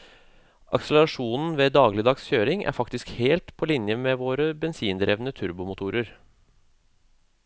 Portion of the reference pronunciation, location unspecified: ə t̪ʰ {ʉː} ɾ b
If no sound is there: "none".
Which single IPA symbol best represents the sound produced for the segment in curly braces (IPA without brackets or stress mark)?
ʉ